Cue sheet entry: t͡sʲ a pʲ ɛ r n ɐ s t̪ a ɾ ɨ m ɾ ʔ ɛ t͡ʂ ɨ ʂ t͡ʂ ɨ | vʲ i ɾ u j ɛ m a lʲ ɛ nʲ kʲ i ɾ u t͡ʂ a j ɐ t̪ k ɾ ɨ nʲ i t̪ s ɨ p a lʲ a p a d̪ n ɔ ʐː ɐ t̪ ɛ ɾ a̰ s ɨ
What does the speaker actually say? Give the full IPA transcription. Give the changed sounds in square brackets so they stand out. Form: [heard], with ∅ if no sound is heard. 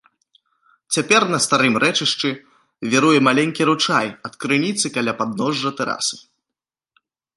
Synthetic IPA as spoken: t͡sʲ a pʲ ɛ r n ɐ s t̪ a ɾ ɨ m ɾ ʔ ɛ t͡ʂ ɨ ʂ t͡ʂ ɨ | vʲ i ɾ u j ɛ m a lʲ ɛ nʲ kʲ i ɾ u t͡ʂ a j ɐ t̪ k ɾ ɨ nʲ i t̪ s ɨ [k] a lʲ a p a d̪ n ɔ ʐː ɐ t̪ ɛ ɾ a̰ s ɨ